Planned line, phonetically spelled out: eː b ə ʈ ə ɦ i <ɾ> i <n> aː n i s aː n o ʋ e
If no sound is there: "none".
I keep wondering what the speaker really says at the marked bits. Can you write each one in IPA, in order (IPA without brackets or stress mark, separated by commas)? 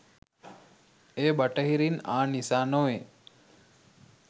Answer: ɾ, n